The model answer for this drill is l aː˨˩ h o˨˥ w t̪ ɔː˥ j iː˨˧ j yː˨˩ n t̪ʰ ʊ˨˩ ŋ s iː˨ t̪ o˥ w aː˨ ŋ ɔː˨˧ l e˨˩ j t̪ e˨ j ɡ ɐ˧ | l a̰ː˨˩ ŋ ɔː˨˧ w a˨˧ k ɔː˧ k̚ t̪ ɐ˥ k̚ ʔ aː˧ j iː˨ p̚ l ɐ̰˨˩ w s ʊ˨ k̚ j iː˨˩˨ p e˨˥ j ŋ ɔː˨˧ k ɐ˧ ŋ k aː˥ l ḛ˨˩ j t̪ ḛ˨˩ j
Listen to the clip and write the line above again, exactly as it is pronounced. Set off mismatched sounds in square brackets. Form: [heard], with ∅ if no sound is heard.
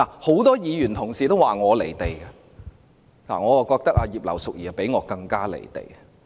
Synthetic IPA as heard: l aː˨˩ h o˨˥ w t̪ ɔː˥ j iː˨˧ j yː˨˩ n t̪ʰ ʊ˨˩ ŋ s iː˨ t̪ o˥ w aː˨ ŋ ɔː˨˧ l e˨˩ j t̪ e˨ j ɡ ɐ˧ | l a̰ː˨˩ ŋ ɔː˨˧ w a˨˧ k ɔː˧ k̚ t̪ ɐ˥ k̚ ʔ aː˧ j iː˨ p̚ l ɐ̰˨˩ w s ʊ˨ k̚ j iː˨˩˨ p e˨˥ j ŋ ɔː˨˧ k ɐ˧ ŋ k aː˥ l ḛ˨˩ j t̪ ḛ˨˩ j

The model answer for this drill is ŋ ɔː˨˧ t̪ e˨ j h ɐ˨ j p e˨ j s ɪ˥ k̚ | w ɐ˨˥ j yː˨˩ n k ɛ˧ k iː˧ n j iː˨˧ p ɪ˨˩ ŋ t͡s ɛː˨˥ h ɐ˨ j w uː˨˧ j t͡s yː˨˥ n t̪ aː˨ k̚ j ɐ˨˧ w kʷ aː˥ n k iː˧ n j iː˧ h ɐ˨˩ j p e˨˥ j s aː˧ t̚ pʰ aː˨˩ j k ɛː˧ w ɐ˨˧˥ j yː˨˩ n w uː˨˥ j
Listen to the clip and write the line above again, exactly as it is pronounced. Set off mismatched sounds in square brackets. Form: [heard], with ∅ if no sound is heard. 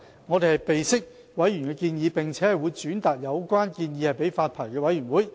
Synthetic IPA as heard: ŋ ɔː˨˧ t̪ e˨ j h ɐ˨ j p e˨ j s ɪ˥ k̚ | w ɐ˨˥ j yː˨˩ n k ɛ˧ k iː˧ n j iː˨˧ p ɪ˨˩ ŋ [t͡sʰ] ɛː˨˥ h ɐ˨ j w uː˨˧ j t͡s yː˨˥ n t̪ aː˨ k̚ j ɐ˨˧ w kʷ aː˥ n k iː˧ n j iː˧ h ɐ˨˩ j p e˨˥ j [f] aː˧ t̚ pʰ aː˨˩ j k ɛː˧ w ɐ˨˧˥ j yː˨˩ n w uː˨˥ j

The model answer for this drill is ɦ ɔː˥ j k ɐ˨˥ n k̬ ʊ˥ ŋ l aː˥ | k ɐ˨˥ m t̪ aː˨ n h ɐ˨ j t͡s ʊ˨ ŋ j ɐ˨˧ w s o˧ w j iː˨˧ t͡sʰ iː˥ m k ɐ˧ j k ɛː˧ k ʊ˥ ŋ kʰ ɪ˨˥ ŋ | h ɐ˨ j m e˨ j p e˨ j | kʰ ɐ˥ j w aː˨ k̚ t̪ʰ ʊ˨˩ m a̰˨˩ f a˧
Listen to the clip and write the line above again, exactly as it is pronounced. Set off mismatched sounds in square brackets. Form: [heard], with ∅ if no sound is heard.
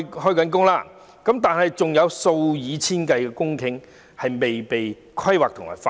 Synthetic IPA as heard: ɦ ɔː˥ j k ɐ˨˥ n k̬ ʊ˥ ŋ l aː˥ | k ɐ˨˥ m t̪ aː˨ n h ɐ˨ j t͡s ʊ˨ ŋ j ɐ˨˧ w s o˧ w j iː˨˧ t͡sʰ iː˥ [n] k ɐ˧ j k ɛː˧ k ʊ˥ ŋ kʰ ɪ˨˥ ŋ | h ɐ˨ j m e˨ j p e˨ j | kʰ ɐ˥ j w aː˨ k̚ t̪ʰ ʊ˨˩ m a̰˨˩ f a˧

